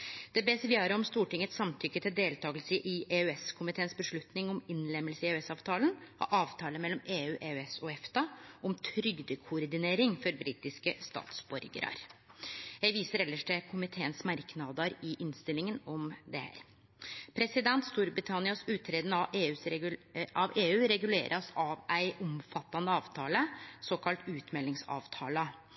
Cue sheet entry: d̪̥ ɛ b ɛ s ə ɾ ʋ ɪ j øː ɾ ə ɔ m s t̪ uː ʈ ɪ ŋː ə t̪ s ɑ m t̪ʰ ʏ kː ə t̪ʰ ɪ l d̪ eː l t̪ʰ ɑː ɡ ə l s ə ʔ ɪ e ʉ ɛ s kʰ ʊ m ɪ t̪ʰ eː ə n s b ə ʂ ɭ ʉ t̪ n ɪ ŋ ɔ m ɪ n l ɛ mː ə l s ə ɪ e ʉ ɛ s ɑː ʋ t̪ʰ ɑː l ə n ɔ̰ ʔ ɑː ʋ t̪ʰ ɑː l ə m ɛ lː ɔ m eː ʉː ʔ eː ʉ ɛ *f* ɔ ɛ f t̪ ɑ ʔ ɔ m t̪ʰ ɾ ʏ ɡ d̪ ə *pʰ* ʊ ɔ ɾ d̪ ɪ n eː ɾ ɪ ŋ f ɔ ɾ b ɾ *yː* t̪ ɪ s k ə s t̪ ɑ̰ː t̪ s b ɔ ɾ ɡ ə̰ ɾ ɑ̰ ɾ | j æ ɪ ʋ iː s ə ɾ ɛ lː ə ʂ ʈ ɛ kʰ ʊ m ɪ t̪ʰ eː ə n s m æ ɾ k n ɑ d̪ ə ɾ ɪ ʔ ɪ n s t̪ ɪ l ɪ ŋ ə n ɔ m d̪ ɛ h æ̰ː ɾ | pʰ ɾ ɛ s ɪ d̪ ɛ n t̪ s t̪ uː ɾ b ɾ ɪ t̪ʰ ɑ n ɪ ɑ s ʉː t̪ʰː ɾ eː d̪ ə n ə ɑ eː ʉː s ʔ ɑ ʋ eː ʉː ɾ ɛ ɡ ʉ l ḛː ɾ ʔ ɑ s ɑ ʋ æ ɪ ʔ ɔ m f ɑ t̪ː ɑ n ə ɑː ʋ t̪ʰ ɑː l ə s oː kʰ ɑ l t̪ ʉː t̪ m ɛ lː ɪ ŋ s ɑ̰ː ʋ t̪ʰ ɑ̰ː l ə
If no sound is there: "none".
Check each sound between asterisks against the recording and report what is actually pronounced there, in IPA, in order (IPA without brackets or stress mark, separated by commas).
s, kʰ, iː